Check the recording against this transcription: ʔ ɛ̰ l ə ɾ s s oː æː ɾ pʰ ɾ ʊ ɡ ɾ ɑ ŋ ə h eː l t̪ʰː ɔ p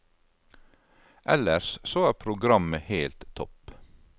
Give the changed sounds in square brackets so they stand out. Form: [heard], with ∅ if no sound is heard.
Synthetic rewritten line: ʔ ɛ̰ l ə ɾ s s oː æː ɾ pʰ ɾ ʊ ɡ ɾ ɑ [m] ə h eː l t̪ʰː ɔ p